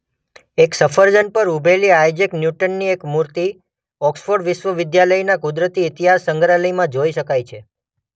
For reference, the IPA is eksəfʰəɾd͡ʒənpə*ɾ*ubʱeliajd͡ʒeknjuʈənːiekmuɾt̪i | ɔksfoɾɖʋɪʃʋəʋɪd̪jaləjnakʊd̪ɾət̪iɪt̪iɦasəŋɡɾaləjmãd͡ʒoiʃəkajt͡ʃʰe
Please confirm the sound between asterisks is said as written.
yes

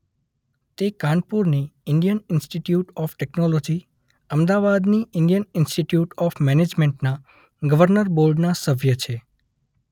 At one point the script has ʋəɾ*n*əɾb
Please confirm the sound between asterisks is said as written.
yes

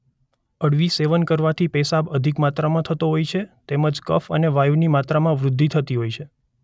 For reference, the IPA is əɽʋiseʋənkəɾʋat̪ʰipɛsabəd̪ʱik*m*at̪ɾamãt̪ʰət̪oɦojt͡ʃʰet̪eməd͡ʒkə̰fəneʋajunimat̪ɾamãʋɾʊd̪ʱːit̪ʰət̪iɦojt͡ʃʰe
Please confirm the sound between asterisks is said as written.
yes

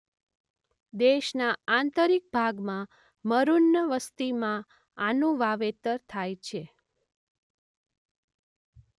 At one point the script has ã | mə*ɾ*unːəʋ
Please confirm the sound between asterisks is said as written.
yes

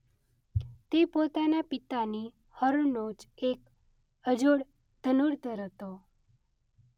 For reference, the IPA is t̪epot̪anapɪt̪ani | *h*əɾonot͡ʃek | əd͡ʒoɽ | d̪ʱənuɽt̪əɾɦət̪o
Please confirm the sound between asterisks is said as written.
yes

